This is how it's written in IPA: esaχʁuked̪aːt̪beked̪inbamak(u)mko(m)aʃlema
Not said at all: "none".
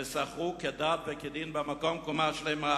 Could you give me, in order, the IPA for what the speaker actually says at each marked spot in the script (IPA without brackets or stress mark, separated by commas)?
o, m